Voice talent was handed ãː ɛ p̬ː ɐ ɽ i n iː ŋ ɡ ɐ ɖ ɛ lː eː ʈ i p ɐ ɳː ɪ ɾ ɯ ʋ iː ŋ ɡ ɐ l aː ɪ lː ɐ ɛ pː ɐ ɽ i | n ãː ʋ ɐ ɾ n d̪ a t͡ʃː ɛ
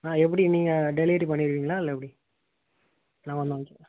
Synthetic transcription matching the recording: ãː ɛ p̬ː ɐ ɽ i n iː ŋ ɡ ɐ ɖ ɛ l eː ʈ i p ɐ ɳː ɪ ɾ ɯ ʋ iː ŋ ɡ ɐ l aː ɪ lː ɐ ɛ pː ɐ ɽ i | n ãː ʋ ɐ n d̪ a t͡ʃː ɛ

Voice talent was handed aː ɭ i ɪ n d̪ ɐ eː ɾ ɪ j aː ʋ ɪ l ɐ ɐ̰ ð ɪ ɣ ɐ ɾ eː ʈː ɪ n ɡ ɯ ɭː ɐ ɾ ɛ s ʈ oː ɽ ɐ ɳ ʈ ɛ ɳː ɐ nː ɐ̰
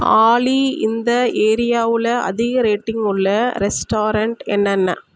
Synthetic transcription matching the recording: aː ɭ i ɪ n d̪ ɐ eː ɾ ɪ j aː ʋ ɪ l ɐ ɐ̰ ð ɪ ɣ ɐ ɾ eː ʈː ɪ ŋ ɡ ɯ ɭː ɐ ɾ ɛ s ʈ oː ɾ ɐ ɳ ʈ ɛ nː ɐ nː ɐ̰

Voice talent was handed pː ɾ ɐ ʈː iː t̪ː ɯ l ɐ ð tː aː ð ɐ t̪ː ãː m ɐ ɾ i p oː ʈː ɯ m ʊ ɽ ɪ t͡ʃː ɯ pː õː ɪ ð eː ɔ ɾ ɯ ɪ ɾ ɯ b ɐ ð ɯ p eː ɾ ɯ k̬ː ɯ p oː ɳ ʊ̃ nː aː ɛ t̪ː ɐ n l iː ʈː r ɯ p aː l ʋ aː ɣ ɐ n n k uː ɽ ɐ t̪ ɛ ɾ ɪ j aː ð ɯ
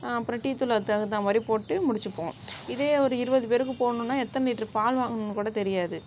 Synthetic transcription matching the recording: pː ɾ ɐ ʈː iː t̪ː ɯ l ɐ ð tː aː ɣ ɐ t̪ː ãː m ɐ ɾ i p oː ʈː ɯ m ʊ ɽ ɪ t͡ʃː ɯ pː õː ɪ ð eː ɔ ɾ ɯ ɪ ɾ ɯ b ɐ ð ɯ p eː ɾ ɯ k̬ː ɯ p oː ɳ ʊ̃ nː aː ɛ t̪ː ɐ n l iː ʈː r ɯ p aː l ʋ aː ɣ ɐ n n k uː ɽ ɐ t̪ ɛ ɾ ɪ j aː ð ɯ

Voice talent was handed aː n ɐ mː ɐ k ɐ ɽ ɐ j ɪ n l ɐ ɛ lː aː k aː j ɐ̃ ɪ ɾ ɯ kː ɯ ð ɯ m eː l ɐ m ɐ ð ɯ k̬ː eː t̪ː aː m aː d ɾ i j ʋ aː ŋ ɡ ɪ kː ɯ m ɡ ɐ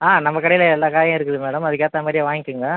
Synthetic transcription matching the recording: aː n ɐ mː ɐ k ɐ ɽ ɐ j ɪ l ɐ ɛ lː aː k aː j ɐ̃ ɪ ɾ ɯ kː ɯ ð ɯ m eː ɽ ɐ m ɐ ð ɯ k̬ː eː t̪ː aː m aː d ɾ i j ʋ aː ŋ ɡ ɪ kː ɯ ŋ ɡ ɐ

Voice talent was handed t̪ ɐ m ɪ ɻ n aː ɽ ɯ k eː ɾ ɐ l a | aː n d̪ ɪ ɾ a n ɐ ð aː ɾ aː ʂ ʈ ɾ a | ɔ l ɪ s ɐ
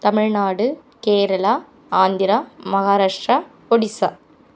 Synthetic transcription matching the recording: t̪ ɐ m ɪ ɻ n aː ɽ ɯ k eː ɾ ɐ l a | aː n d̪ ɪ ɾ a m ɐ ɣ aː ɾ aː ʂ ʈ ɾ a | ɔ ɽ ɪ s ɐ

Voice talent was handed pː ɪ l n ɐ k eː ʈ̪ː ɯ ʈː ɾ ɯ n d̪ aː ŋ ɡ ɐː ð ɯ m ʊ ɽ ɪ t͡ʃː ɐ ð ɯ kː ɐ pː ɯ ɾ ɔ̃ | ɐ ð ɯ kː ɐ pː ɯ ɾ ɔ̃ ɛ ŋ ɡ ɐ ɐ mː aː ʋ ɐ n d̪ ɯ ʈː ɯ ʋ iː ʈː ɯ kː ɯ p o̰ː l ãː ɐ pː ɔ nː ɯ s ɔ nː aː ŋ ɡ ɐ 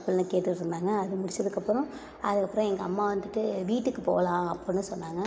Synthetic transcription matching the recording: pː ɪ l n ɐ k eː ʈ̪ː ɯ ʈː ɾ ɯ n d̪ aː ŋ ɡ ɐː ð ɯ m ʊ ɽ ɪ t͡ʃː ɐ ð ɯ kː ɐ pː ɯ ɾ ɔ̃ | ɐ ð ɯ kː ɐ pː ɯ ɾ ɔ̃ ɛ ŋ ɡ ɐ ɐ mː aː ʋ ɐ n d̪ ɯ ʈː ɯ ʋ iː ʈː ɯ kː ɯ p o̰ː l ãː ɐ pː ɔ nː ɯ s ɔ nː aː ŋ ɡ ɐ

